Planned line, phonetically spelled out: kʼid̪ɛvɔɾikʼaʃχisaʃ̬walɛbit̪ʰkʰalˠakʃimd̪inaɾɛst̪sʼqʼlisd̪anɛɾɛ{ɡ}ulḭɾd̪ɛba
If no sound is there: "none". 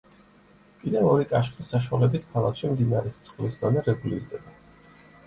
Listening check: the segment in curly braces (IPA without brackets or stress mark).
ɡ